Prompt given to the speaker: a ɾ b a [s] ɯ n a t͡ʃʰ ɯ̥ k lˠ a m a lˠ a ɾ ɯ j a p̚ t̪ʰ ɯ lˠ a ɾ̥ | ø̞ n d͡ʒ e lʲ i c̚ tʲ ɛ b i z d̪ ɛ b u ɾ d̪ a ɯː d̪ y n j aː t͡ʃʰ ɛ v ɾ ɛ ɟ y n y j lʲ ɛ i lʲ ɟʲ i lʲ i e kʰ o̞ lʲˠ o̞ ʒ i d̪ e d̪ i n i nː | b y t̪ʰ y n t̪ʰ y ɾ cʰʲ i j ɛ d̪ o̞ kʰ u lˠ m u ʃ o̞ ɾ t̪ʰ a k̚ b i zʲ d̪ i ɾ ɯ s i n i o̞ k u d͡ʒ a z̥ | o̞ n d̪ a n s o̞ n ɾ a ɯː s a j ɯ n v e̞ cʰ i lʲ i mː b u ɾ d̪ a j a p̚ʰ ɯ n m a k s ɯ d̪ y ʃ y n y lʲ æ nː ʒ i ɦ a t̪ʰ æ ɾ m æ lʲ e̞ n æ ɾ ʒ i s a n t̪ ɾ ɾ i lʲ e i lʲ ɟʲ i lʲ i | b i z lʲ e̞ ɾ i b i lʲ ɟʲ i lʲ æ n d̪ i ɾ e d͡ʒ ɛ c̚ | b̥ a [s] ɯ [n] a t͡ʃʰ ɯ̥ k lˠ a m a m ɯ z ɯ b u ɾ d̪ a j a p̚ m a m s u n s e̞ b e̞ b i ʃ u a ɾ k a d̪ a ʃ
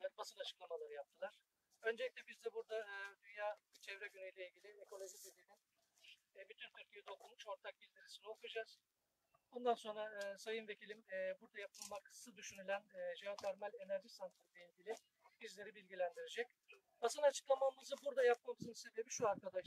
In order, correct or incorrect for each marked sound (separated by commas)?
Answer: correct, correct, correct